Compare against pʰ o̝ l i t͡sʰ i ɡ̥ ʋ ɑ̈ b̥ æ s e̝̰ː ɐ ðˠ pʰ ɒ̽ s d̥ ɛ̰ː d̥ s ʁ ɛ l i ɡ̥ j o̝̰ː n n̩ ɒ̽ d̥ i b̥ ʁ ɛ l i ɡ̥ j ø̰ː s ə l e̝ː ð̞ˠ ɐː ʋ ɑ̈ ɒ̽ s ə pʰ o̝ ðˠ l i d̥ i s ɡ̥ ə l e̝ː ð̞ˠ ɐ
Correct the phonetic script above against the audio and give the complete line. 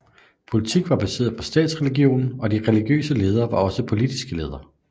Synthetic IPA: pʰ o̝ l i t͡sʰ i ɡ̥ ʋ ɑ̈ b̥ æ s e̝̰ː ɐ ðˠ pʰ ɒ̽ s d̥ ɛ̰ː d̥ s ʁ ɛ l i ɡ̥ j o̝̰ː n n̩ ɒ̽ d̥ i ʁ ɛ l i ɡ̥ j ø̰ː s ə l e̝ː ð̞ˠ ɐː ʋ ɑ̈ ɒ̽ s ə pʰ o̝ l i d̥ i s ɡ̥ ə l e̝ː ð̞ˠ ɐ